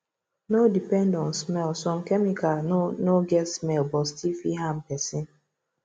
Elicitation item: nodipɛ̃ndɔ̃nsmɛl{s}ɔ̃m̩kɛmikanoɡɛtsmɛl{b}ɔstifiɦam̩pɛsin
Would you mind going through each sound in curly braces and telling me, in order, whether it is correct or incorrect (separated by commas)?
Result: correct, correct